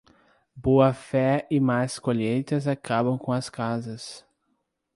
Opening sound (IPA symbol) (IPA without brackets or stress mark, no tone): b